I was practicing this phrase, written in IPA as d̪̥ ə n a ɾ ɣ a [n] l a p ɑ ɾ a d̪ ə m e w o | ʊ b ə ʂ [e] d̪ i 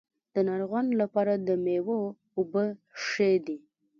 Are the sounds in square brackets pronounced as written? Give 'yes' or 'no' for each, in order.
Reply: yes, yes

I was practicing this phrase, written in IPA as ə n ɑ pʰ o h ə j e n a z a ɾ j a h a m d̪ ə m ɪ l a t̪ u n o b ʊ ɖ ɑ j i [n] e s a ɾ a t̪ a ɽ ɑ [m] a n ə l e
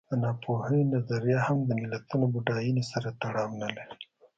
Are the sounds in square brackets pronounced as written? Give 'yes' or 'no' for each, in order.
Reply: yes, yes

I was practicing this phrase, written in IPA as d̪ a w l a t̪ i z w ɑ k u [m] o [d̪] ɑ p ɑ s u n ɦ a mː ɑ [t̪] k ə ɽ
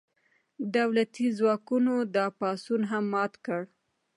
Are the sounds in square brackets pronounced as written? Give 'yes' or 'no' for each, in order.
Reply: no, yes, yes

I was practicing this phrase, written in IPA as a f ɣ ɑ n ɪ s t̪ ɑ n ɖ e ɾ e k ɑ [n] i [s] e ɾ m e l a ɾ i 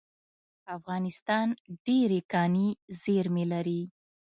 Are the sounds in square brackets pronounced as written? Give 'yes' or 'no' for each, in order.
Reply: yes, no

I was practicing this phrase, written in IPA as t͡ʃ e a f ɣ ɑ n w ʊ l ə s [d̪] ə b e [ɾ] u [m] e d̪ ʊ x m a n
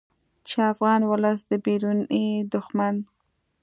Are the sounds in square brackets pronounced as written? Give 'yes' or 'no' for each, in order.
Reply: yes, yes, no

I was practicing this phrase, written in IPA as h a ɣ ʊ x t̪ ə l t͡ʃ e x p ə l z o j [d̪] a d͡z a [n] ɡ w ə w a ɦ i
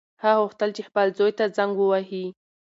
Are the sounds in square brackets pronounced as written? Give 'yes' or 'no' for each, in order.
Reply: no, no

